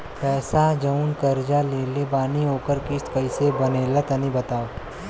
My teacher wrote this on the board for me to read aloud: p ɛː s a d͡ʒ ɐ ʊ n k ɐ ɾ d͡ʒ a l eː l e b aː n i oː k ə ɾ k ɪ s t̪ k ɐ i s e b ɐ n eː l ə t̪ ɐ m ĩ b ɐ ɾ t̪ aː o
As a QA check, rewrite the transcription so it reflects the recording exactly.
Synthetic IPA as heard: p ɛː s a d͡ʒ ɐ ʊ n k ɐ ɾ d͡ʒ a l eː l e b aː n i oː k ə ɾ k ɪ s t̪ k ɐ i s e b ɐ n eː l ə t̪ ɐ n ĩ b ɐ t̪ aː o